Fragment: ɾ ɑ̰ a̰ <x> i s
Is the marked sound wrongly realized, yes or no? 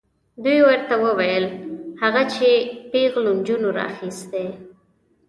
no